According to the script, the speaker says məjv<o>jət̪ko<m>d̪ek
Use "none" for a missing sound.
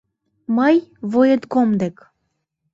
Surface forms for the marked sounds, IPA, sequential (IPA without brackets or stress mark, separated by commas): o, m